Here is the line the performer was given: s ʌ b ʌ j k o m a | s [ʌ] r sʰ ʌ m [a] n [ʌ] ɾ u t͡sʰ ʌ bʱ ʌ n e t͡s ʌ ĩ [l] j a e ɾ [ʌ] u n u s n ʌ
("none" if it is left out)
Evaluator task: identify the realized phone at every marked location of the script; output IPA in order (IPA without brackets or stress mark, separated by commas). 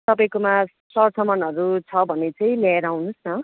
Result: ʌ, ʌ, ʌ, l, a